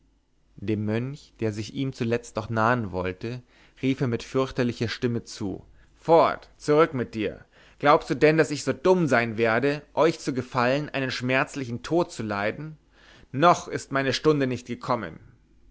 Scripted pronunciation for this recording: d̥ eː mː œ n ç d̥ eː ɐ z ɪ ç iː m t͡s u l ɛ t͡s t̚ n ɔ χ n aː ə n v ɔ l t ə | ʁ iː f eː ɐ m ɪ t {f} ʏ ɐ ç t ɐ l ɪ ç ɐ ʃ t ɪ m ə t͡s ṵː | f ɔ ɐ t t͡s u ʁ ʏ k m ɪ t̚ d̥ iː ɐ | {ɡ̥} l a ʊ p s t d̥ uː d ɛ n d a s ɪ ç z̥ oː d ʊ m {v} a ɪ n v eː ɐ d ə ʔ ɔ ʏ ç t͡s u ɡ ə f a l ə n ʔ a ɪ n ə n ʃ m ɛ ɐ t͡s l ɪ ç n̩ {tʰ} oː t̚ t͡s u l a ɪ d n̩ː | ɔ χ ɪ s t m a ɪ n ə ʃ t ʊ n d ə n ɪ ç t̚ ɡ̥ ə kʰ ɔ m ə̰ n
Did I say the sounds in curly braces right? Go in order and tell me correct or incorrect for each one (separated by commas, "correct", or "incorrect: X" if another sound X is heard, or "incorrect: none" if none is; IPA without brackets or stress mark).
correct, correct, incorrect: z, correct